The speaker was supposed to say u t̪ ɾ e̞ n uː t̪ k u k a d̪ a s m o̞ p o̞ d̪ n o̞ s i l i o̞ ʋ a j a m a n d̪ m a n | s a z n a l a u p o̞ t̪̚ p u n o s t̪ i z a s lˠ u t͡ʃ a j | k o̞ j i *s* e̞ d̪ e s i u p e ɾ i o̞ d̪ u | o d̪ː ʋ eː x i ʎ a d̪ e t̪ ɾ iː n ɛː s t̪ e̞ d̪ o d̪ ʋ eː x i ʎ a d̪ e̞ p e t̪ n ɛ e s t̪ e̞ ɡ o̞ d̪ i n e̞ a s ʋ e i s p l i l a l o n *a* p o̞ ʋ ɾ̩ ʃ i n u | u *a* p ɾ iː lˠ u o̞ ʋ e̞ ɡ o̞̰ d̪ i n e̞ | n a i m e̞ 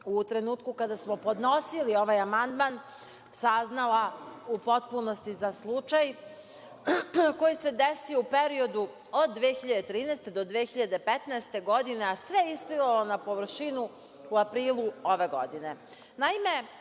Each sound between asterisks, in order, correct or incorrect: correct, correct, correct

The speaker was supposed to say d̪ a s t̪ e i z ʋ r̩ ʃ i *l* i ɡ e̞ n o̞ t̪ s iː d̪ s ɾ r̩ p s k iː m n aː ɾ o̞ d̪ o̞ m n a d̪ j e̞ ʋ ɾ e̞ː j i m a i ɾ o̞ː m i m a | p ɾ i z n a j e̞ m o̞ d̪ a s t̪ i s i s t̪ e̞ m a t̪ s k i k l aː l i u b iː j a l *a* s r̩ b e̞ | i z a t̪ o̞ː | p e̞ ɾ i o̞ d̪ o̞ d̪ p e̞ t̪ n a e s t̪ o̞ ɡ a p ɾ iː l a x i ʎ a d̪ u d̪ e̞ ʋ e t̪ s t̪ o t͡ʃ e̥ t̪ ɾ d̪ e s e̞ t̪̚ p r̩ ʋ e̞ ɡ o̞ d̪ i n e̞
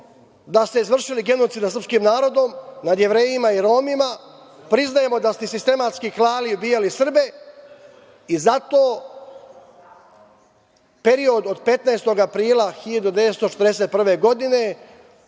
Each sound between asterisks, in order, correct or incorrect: correct, incorrect

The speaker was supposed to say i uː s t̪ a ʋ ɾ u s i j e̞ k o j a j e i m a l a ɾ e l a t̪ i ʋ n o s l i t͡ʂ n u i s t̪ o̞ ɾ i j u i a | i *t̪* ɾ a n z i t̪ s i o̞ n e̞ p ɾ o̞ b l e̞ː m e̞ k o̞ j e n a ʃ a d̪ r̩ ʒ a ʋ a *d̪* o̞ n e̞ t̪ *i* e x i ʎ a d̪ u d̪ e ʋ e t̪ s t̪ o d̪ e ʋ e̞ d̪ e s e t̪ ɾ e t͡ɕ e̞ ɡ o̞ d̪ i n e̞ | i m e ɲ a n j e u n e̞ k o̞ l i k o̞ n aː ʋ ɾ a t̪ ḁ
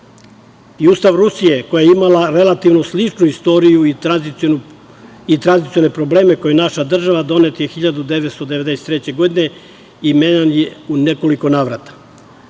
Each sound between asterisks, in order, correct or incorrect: correct, correct, incorrect

